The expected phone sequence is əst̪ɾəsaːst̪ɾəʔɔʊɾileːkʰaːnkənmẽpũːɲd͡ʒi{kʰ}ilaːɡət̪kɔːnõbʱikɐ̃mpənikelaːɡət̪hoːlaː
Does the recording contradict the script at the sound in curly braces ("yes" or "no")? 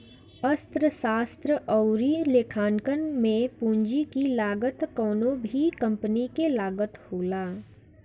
yes